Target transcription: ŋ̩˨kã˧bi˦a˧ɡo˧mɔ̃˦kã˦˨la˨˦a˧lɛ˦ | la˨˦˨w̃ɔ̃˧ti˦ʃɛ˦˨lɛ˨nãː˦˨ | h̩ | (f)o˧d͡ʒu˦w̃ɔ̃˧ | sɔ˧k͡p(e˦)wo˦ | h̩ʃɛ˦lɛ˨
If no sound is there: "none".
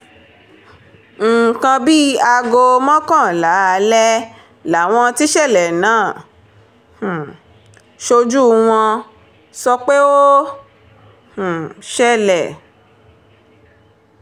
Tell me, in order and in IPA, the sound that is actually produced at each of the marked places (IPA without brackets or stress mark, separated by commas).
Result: ʃ, e˦